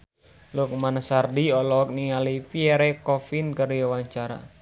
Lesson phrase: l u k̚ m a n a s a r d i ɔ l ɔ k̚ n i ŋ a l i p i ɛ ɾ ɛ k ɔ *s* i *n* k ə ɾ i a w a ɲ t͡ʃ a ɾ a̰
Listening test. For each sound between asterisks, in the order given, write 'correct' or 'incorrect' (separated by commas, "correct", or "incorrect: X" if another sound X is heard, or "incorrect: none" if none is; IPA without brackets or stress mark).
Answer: incorrect: f, correct